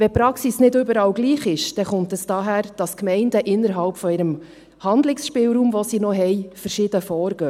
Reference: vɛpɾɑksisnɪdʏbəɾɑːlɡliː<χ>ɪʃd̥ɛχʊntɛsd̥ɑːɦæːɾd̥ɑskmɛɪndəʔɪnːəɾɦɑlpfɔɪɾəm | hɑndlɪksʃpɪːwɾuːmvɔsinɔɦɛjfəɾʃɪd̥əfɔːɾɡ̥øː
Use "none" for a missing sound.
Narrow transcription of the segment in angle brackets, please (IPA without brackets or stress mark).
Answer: χ